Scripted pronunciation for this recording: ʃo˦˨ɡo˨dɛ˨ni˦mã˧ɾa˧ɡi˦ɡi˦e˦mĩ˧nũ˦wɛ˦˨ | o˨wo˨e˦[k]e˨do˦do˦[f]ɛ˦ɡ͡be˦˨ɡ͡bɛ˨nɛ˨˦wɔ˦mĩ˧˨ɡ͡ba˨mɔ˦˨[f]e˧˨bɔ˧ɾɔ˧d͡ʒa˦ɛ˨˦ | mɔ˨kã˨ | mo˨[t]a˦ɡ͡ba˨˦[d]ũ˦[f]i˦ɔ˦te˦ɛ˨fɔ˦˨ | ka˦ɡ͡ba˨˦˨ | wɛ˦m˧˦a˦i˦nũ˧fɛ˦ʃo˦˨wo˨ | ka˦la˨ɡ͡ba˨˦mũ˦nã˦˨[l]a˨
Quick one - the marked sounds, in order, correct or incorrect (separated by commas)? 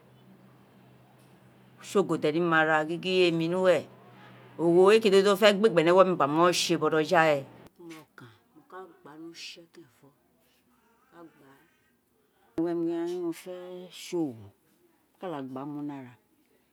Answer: correct, correct, incorrect, incorrect, incorrect, incorrect, incorrect